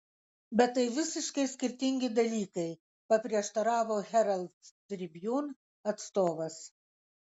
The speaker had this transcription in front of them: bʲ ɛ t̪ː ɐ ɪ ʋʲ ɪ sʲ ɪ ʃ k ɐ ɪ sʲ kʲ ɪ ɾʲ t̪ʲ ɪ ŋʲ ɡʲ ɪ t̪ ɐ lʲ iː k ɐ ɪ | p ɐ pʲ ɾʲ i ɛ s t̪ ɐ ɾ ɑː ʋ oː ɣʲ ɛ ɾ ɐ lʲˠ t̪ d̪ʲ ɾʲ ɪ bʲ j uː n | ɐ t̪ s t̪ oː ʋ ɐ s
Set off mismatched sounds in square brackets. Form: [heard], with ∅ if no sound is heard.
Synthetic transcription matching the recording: bʲ ɛ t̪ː ɐ ɪ ʋʲ ɪ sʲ ɪ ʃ k ɐ ɪ sʲ kʲ ɪ ɾʲ t̪ʲ ɪ ŋʲ ɡʲ ɪ [d̪] ɐ lʲ iː k ɐ ɪ | p ɐ pʲ ɾʲ i ɛ [ʃ] t̪ ɐ ɾ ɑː ʋ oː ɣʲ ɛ ɾ ɐ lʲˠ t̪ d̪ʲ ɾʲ ɪ bʲ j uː n | ɐ t̪ s t̪ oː ʋ ɐ s